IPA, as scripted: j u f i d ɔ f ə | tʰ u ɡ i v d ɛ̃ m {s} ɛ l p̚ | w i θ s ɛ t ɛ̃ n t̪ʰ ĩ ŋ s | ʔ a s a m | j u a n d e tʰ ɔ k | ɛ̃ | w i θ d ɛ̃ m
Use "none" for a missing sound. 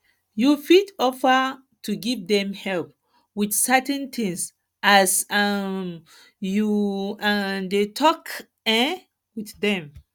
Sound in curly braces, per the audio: h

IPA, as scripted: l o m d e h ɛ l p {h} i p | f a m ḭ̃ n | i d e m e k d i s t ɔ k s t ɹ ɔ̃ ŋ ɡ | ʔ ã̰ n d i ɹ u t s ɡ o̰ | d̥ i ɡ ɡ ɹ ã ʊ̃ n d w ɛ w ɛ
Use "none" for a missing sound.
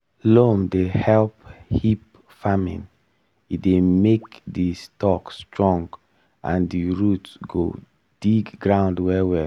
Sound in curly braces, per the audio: h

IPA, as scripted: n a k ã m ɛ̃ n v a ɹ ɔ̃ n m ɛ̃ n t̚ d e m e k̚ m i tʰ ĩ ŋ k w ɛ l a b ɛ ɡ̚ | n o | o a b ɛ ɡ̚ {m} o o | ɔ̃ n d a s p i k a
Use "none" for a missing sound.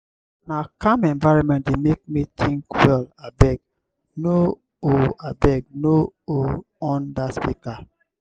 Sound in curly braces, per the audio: n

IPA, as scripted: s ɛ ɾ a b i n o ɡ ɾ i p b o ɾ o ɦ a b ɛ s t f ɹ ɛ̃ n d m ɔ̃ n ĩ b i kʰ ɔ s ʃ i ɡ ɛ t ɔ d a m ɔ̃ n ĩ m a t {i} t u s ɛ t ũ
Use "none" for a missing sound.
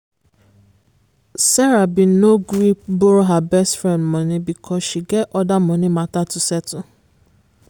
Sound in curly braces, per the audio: a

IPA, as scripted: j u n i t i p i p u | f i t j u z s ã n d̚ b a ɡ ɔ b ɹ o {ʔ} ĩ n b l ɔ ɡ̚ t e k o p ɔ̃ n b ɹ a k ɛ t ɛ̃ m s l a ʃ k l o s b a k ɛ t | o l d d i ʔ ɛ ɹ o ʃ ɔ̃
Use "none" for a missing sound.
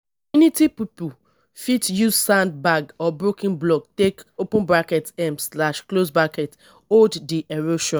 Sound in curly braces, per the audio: k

